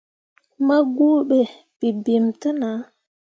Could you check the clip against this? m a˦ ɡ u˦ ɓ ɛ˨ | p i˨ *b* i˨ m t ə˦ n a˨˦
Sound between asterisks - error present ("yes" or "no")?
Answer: no